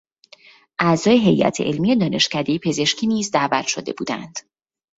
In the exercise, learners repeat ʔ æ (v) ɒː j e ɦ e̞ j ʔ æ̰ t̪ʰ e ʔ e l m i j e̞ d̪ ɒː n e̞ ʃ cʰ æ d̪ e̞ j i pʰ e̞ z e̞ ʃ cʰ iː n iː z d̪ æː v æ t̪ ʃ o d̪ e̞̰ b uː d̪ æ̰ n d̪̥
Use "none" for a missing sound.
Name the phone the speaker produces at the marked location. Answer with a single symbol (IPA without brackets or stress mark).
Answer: z